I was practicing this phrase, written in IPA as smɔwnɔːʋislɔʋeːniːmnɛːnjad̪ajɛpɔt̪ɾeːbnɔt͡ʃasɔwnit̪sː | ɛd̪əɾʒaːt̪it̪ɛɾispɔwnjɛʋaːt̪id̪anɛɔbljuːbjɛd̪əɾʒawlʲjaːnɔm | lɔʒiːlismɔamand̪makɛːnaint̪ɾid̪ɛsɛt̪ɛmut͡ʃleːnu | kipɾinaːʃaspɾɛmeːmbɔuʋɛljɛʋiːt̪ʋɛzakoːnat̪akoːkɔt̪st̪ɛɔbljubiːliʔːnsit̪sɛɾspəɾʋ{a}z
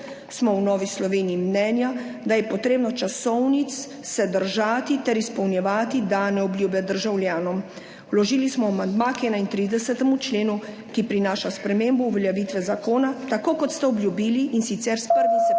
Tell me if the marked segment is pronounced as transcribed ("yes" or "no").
no